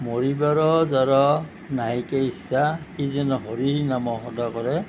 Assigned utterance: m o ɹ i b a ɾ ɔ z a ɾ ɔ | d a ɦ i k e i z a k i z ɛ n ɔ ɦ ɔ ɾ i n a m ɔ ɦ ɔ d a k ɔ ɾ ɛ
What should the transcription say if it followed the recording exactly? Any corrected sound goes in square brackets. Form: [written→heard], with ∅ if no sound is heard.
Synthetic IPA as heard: m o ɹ i b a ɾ ɔ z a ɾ ɔ | [d→n] a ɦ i k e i [z→s] a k i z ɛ n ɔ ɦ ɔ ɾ i n a m ɔ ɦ ɔ d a k ɔ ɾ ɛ